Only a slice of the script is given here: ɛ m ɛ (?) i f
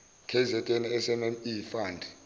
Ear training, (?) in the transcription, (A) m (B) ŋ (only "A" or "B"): A